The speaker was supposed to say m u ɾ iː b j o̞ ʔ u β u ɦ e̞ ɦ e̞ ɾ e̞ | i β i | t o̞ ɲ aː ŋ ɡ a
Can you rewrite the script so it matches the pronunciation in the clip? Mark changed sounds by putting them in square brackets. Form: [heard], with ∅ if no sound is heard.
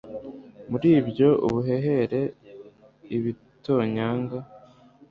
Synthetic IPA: m u ɾ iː b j o̞ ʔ u β u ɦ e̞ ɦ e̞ ɾ e̞ | i β i | t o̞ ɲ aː ŋ ɡ a